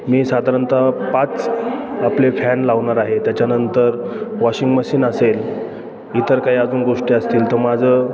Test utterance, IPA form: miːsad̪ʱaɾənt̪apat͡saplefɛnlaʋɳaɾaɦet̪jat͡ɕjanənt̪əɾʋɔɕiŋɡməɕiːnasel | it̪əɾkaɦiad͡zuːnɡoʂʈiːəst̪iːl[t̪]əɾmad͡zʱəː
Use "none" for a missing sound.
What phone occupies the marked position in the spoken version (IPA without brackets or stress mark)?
t̪